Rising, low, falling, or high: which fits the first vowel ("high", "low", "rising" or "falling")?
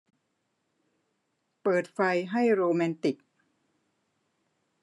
low